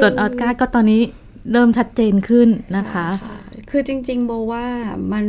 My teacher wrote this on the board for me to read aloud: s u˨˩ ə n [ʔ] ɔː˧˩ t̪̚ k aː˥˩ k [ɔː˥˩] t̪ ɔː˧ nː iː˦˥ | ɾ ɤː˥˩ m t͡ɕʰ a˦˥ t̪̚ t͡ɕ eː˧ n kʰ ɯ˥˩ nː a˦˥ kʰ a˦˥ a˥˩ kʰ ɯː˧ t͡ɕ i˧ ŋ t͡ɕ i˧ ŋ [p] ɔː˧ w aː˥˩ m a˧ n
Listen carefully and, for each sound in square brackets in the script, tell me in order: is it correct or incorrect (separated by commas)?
correct, correct, incorrect